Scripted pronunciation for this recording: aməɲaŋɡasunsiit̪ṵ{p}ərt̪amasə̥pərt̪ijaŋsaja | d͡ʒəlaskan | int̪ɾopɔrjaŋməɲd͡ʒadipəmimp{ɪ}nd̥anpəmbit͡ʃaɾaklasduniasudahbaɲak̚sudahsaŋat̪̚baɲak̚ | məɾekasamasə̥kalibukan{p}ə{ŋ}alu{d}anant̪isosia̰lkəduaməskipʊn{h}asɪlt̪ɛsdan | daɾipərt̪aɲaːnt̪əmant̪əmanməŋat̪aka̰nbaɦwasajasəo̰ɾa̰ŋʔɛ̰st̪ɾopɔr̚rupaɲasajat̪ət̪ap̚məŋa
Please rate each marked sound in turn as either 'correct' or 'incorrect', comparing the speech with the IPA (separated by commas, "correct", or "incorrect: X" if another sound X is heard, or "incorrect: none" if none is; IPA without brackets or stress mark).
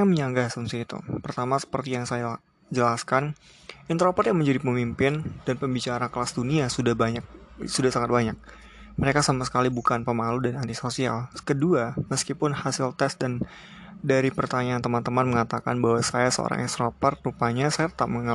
correct, correct, correct, incorrect: m, correct, correct